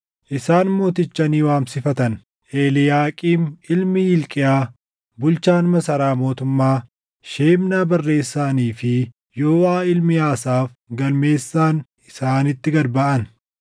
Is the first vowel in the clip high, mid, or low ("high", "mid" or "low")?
high